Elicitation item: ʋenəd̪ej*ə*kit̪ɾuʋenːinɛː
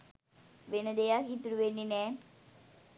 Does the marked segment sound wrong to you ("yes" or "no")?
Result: yes